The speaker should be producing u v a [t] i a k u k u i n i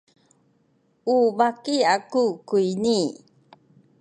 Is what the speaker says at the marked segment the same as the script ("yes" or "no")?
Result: no